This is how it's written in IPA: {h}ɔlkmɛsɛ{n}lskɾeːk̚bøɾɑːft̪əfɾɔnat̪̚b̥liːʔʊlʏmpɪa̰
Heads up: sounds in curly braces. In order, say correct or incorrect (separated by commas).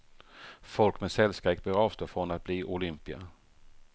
incorrect, incorrect